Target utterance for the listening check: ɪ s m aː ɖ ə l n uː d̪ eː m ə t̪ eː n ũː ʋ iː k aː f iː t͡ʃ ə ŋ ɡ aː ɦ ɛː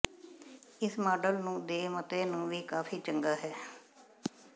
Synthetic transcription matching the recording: ɪ s m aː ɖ ə l n ũː d̪ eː m ə t̪ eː n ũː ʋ iː k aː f iː t͡ʃ ə ŋ ɡ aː ɦ ɛː